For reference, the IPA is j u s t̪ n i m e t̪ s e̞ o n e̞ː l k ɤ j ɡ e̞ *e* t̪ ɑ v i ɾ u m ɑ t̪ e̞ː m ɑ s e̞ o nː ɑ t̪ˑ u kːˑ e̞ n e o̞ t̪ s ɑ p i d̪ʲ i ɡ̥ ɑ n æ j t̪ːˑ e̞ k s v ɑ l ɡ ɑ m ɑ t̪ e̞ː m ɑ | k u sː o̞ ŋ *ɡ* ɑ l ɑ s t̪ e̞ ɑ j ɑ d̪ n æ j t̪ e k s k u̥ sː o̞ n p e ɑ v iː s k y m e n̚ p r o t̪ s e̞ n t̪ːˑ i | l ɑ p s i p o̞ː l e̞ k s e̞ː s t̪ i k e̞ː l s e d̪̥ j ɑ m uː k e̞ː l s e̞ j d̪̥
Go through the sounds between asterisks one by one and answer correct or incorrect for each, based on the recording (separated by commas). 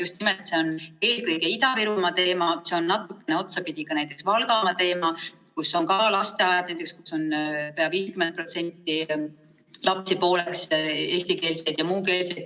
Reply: incorrect, incorrect